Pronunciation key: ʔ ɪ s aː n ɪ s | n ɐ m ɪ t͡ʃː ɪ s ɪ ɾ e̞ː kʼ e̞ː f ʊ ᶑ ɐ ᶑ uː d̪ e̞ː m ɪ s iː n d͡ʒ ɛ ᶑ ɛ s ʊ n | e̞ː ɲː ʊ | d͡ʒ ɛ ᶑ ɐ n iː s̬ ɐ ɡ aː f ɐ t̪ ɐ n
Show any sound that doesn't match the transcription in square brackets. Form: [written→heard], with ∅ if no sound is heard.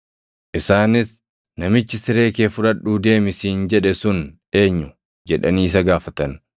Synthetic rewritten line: ʔ ɪ s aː n ɪ s | n ɐ m ɪ t͡ʃː ɪ s ɪ ɾ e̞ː [kʼ→k] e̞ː f ʊ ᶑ ɐ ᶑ uː d̪ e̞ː m ɪ s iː n d͡ʒ ɛ ᶑ ɛ s ʊ n | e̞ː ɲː ʊ | d͡ʒ ɛ ᶑ ɐ n iː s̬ ɐ ɡ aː f ɐ t̪ ɐ n